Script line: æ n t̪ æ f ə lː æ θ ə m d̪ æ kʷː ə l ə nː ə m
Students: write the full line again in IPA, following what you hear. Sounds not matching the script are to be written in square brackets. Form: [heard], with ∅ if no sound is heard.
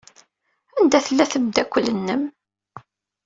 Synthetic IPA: æ n [d̪] æ [θ] ə lː æ θ ə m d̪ æ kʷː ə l ə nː ə m